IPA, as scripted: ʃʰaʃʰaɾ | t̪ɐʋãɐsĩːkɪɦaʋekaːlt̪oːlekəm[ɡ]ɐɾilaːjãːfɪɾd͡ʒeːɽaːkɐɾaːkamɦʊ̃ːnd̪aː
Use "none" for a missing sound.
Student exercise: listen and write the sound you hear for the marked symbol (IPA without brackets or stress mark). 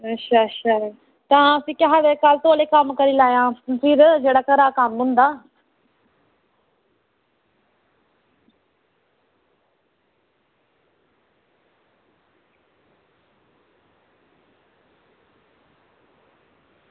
k